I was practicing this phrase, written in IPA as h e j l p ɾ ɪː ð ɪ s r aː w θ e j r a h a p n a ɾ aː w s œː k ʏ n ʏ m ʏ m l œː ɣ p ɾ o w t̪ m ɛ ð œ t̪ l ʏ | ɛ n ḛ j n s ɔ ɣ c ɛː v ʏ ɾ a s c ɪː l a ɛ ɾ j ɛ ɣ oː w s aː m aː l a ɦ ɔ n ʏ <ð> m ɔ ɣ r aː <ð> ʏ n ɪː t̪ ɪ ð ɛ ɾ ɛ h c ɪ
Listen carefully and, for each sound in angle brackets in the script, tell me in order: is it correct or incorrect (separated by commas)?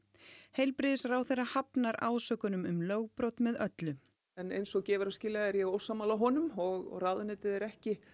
incorrect, correct